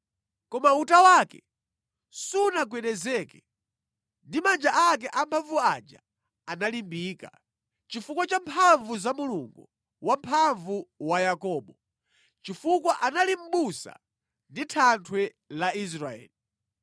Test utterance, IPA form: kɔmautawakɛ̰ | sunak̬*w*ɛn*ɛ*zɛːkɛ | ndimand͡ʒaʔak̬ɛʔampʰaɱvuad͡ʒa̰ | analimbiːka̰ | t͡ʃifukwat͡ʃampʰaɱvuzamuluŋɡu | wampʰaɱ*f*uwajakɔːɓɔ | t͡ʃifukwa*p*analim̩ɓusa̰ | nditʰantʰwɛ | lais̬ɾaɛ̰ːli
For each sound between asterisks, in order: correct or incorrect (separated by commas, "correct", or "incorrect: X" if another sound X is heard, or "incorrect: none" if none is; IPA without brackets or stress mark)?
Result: correct, correct, incorrect: v, incorrect: ʔ